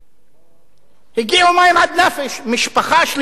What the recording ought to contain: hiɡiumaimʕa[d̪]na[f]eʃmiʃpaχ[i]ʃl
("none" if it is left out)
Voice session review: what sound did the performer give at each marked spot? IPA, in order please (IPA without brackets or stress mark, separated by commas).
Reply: d̪, f, a